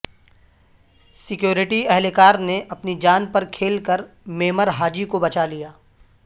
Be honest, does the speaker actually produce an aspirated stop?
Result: yes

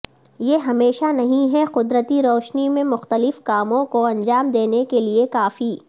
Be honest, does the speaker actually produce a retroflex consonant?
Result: no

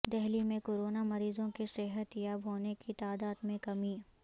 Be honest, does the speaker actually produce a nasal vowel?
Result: yes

